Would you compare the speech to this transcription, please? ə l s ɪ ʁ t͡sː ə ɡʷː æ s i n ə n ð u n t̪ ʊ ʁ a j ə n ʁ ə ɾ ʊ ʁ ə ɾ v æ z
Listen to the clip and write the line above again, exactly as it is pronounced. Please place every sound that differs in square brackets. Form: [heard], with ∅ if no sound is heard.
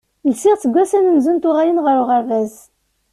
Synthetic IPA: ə l s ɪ ʁ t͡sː ə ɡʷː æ s [æ] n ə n [z] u n t̪ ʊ ʁ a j ə n ʁ ə ɾ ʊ ʁ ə ɾ v æ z